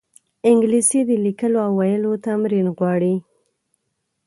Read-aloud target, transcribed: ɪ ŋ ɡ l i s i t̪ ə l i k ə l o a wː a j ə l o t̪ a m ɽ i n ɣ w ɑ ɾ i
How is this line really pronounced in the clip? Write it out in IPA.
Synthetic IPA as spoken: ɪ ŋ ɡ l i s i d̪ ə l i k ə l o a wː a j ə l o t̪ a m ɾ i n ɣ w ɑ ɽ i